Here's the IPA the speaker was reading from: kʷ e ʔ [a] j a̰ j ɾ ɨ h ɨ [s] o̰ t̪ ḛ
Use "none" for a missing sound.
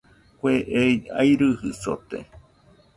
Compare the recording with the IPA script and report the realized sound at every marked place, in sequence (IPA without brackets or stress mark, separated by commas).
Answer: e, s